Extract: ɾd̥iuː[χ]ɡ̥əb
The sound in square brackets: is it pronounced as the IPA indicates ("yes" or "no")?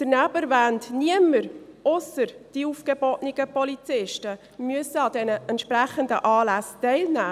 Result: no